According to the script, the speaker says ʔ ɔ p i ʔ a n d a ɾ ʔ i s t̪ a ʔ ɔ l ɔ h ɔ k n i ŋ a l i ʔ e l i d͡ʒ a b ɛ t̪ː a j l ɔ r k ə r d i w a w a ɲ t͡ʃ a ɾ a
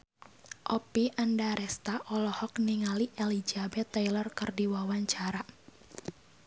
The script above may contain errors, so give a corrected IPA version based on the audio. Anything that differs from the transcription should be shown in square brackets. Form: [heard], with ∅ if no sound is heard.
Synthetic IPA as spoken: ʔ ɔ p i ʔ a n d a ɾ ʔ [ɛ] s t̪ a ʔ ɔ l ɔ h ɔ k n i ŋ a l i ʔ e l i d͡ʒ a b ɛ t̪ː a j l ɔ r k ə r d i w a w a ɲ t͡ʃ a ɾ a